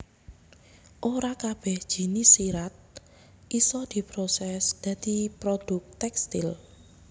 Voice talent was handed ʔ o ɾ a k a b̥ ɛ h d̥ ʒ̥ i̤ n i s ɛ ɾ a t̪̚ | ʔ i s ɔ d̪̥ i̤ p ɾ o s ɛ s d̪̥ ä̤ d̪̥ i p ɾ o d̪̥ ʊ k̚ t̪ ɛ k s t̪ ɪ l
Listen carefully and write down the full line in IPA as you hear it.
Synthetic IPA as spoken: ʔ o ɾ a k a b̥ ɛ h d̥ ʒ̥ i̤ n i s i ɾ a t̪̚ | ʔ i s ɔ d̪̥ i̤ p ɾ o s ɛ s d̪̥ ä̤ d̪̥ i p ɾ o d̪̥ ʊ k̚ t̪ ɛ k s t̪ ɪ l